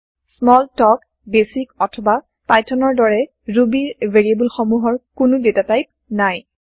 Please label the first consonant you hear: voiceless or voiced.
voiceless